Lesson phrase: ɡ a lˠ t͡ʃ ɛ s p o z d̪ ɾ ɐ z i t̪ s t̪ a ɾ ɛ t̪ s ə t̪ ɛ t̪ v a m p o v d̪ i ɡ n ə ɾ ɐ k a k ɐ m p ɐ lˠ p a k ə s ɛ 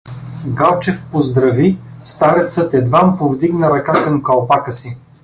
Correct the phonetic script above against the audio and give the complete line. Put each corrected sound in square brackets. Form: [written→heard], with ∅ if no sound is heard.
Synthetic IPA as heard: ɡ a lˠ t͡ʃ ɛ [s→f] p o z d̪ ɾ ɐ [z→v] i [t̪→∅] s t̪ a ɾ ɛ t̪ s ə t̪ ɛ [t̪→d̪] v a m p o v d̪ i ɡ n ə ɾ ɐ k a k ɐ m [p→k] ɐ lˠ p a k ə s [ɛ→i]